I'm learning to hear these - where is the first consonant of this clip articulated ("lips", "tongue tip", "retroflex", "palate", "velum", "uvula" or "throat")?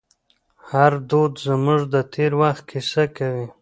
throat